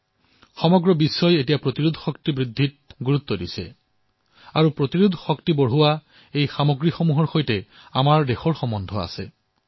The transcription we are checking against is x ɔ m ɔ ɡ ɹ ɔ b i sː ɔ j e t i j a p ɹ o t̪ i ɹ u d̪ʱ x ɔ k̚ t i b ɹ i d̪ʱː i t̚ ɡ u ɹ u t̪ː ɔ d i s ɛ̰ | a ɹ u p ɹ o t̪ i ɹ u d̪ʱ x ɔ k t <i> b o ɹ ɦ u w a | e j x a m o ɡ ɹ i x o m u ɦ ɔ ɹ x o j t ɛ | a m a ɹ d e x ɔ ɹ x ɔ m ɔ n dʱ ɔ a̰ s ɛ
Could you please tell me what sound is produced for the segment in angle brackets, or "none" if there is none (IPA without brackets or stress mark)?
i